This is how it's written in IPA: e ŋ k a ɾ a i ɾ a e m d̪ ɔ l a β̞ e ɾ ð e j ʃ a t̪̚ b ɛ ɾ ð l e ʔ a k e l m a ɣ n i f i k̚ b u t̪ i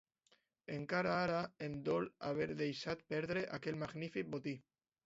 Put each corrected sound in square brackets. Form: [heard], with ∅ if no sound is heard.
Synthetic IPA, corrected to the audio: e ŋ k a ɾ a [a] ɾ a e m d̪ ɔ l a β̞ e ɾ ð e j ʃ a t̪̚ [p] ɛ ɾ ð [ɾ] e ʔ a k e l m a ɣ n i f i k̚ b [o] t̪ i